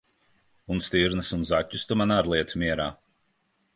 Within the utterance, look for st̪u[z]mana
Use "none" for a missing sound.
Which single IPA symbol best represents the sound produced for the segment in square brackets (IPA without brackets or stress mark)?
none